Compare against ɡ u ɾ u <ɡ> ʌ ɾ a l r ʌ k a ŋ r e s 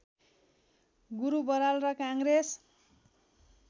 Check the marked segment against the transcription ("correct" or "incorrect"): incorrect